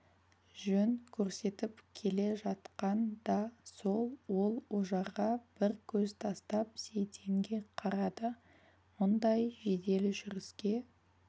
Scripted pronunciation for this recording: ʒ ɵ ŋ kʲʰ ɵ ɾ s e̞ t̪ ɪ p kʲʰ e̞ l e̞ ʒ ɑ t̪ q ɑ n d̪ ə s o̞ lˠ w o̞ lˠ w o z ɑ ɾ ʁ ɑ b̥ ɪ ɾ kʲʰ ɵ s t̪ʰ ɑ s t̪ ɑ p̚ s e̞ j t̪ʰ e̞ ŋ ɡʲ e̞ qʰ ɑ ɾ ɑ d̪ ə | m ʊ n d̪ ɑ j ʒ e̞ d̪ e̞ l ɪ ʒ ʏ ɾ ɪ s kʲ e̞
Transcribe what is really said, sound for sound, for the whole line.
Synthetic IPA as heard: ʒ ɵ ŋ kʲʰ ɵ ɾ s e̞ t̪ ɪ p kʲʰ e̞ l e̞ ʒ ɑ t̪ q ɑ n d̪ ɑ s o̞ lˠ w o̞ lˠ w o ʒ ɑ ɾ ʁ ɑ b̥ ɪ ɾ kʲʰ ɵ z t̪ʰ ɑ s t̪ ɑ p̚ s e̞ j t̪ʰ e̞ ŋ ɡʲ e̞ qʰ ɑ ɾ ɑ d̪ ə | m ʊ n d̪ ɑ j ʒ e̞ d̪ e̞ l ɪ ʒ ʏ ɾ ɪ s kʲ e̞